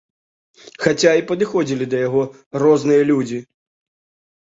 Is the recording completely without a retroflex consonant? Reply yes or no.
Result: yes